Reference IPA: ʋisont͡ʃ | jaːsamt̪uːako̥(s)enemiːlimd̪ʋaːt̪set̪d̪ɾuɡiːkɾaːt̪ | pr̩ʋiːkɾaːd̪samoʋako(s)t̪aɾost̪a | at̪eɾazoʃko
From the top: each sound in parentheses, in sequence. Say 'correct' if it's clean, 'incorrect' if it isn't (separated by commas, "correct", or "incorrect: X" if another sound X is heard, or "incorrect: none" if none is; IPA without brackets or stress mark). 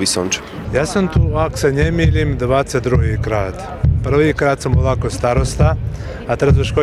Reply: correct, correct